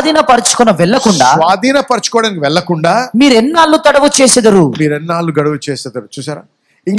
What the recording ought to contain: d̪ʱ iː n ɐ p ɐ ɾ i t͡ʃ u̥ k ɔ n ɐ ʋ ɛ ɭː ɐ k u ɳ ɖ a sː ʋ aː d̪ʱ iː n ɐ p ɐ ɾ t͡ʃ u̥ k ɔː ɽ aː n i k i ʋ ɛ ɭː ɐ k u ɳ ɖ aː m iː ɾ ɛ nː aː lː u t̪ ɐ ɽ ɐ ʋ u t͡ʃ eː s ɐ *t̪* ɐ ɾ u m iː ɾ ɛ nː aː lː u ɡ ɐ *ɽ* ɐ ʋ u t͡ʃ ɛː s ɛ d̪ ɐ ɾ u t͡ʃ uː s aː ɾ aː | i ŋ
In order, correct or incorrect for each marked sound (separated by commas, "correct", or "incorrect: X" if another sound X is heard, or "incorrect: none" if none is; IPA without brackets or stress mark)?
incorrect: d̪, correct